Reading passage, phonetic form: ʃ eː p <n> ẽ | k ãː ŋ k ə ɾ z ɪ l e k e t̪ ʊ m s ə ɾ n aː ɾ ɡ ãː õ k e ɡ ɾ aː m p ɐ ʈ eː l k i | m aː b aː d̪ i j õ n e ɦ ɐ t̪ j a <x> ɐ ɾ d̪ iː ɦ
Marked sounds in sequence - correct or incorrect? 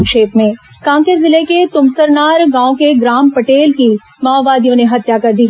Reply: incorrect: m, incorrect: k

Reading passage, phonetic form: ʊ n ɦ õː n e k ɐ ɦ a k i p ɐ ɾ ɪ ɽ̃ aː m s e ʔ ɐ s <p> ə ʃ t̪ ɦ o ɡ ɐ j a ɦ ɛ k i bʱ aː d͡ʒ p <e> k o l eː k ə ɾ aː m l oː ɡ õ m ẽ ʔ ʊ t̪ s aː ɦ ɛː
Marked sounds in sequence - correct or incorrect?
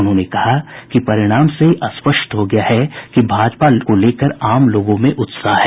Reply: correct, incorrect: a

